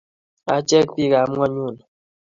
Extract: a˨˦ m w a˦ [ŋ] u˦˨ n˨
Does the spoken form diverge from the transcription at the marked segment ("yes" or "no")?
yes